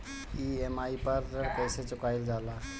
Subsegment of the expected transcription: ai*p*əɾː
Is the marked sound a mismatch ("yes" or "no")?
no